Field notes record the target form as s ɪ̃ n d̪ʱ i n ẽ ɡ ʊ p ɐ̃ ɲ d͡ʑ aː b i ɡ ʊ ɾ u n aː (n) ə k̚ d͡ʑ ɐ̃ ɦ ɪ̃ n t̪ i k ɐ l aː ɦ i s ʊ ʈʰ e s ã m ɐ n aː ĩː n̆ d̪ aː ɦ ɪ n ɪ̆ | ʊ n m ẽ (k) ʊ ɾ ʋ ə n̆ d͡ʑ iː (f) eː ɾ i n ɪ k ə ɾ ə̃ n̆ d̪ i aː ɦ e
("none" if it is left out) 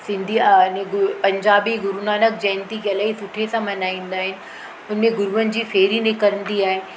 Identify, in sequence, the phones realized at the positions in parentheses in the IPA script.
n, ɡ, f

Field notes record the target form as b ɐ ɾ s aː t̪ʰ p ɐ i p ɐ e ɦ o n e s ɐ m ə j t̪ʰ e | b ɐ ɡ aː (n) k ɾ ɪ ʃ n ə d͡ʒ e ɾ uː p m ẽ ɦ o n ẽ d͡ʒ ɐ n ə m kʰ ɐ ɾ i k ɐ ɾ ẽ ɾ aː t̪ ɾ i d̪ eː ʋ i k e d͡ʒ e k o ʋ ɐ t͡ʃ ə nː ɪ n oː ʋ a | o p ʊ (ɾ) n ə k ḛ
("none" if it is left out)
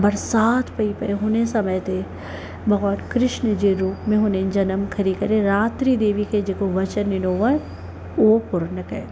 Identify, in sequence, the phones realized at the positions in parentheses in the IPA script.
n, ɾ

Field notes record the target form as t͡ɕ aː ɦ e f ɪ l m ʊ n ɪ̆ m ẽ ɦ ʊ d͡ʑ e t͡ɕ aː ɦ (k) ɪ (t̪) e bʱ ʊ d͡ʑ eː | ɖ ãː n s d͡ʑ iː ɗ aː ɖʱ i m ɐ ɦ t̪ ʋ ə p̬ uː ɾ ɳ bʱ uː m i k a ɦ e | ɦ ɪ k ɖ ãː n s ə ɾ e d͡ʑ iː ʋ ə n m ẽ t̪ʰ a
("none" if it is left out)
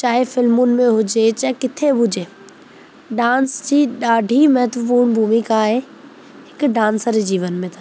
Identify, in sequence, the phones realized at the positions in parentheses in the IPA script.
k, t̪ʰ

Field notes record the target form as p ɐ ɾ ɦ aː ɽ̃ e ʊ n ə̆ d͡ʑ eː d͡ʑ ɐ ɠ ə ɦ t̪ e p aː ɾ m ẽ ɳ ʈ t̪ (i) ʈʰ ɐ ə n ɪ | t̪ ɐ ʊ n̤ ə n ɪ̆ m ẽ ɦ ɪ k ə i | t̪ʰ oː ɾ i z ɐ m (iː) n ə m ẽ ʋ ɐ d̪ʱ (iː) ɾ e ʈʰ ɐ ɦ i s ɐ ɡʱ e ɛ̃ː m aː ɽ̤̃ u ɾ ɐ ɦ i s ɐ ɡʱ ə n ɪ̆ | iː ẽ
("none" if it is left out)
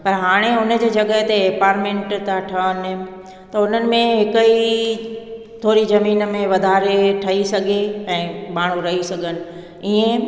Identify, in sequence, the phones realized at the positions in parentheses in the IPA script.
a, iː, aː

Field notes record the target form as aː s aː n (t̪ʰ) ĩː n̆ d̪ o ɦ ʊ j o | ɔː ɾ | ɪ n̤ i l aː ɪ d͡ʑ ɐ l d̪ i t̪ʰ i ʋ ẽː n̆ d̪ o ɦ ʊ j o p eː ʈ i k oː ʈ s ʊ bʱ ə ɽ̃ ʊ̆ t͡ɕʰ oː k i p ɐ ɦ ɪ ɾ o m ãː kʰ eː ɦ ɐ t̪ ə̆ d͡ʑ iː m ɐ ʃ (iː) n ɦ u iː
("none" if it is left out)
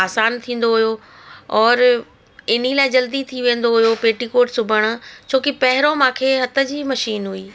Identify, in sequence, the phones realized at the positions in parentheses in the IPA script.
t̪ʰ, iː

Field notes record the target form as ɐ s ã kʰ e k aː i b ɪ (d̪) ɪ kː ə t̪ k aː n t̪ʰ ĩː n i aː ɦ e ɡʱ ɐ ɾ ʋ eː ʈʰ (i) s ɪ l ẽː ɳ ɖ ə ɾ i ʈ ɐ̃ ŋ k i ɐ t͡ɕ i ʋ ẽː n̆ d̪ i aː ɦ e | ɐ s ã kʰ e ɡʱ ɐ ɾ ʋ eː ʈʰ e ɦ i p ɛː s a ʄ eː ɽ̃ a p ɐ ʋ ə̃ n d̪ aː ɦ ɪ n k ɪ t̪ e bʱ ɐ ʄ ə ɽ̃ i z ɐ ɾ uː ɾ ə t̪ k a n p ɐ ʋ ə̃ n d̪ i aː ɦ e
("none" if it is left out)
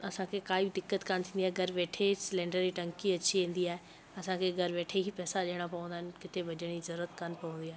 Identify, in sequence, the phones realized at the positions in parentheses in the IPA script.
d̪, e

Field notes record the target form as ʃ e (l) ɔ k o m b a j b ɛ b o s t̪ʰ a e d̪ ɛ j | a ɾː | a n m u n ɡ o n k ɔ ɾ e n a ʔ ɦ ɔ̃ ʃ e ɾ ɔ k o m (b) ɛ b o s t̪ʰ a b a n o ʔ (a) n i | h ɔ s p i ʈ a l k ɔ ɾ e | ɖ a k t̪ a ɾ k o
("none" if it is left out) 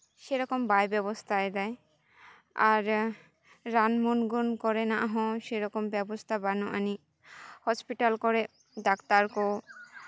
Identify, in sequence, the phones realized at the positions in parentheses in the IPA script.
ɾ, b, a

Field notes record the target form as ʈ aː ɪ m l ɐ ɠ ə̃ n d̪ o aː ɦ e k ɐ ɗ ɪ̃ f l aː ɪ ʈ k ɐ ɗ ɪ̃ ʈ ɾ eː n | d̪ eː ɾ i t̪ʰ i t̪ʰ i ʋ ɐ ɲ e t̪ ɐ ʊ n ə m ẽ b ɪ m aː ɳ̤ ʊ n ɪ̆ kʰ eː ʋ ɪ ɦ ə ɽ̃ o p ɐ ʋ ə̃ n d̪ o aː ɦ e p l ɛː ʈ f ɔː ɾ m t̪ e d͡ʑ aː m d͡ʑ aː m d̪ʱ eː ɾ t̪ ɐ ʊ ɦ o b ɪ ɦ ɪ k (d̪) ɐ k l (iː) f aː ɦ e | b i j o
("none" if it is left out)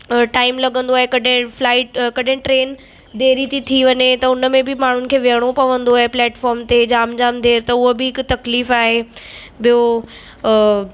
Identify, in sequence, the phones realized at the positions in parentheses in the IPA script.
t̪, iː

